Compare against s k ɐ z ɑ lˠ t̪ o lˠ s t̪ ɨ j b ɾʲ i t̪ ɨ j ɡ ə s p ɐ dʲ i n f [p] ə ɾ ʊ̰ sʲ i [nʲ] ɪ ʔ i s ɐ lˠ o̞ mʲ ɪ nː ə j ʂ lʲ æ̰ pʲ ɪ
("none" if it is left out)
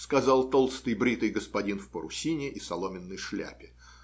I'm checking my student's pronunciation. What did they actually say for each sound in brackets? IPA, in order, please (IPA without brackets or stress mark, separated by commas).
p, nʲ